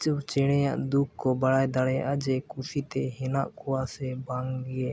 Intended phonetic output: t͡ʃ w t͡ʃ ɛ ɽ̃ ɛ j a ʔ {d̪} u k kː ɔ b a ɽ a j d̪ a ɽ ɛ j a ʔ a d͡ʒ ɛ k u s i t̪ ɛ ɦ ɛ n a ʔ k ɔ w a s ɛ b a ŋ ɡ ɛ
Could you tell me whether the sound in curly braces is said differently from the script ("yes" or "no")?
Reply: no